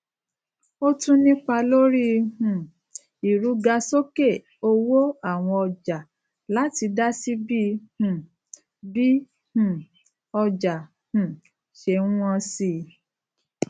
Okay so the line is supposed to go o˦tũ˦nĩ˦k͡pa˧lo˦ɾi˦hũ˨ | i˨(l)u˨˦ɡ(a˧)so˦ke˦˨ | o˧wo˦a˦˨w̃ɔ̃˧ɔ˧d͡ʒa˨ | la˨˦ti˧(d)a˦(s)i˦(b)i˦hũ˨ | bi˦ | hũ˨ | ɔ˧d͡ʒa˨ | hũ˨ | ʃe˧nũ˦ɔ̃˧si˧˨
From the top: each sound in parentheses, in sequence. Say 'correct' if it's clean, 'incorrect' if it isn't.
incorrect: ɾ, correct, correct, correct, correct

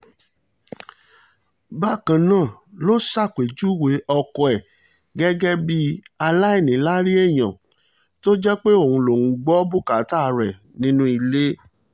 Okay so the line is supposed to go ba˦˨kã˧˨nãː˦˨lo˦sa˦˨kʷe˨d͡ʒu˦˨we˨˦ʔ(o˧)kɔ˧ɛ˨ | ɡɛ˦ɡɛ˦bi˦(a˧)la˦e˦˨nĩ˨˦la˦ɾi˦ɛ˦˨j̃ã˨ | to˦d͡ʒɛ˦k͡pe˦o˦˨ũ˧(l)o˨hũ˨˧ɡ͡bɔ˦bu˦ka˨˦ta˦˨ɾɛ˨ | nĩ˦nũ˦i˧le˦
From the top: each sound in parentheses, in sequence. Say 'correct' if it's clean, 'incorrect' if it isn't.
incorrect: ɔ˧, correct, correct

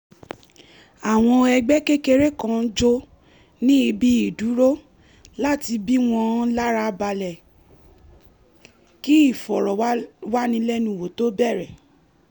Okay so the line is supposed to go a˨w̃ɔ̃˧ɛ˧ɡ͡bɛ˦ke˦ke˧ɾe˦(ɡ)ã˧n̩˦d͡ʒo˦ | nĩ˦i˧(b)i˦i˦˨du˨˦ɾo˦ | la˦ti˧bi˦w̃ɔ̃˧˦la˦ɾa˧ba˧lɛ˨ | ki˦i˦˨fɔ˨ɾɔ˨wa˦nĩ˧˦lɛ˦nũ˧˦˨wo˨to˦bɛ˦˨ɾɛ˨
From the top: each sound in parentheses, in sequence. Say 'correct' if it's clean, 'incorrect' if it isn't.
incorrect: k, correct

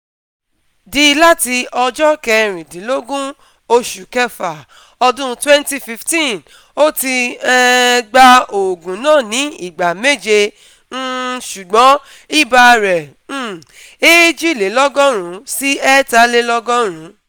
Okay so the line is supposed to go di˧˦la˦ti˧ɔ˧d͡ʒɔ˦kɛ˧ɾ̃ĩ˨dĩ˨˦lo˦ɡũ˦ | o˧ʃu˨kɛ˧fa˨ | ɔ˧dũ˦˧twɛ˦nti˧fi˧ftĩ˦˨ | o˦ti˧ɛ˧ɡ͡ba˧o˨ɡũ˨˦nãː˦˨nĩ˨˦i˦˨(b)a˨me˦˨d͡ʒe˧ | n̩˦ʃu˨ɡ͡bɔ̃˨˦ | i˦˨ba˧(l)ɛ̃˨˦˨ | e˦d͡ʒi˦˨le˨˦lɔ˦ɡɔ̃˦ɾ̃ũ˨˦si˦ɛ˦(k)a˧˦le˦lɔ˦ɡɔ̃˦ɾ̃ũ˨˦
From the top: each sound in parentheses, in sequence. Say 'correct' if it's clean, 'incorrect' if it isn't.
incorrect: ɡ͡b, incorrect: ɾ, incorrect: t

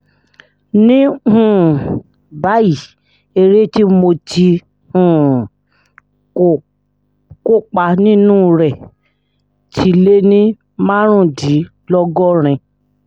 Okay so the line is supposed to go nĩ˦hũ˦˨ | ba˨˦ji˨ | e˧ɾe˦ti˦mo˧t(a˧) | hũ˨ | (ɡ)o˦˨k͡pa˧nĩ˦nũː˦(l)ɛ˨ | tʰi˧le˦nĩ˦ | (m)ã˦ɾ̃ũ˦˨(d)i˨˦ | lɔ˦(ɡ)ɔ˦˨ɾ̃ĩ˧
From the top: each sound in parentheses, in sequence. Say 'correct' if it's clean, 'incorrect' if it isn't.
incorrect: i˧, incorrect: k, incorrect: ɾ, correct, correct, correct

